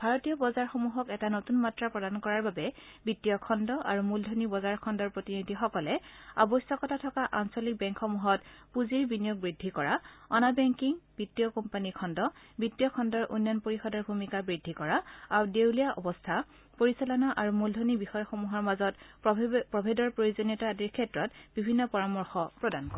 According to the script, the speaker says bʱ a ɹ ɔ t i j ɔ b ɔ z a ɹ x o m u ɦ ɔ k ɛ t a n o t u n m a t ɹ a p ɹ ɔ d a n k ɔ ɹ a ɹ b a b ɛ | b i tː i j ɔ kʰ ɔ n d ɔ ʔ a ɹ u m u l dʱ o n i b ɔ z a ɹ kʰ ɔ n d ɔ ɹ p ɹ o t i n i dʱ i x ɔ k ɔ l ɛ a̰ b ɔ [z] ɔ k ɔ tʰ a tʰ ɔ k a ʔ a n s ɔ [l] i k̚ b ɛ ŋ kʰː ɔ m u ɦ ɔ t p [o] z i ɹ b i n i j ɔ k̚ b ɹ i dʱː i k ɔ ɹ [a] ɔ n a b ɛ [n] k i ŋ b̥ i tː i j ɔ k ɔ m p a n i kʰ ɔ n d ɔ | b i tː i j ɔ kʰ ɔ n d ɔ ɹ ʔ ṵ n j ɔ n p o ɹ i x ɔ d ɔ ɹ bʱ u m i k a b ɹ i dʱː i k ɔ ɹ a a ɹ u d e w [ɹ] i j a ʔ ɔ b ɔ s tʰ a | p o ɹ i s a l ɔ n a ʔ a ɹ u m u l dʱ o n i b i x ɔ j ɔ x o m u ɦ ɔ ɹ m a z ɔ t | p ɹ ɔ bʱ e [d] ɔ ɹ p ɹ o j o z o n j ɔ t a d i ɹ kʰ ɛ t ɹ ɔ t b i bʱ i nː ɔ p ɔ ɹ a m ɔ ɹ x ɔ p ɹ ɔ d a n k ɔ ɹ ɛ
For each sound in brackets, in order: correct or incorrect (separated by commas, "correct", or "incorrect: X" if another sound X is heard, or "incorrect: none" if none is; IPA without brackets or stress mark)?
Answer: incorrect: s, correct, incorrect: u, correct, incorrect: ŋ, incorrect: l, correct